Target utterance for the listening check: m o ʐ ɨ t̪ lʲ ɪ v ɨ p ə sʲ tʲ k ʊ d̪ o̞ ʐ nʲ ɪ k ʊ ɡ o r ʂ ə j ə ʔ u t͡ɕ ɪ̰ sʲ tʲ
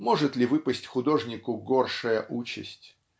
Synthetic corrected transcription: m o ʐ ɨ t̪ lʲ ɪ v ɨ p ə sʲ tʲ x ʊ d̪ o̞ ʐ nʲ ɪ k ʊ ɡ o r ʂ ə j ə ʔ u t͡ɕ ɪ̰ sʲ tʲ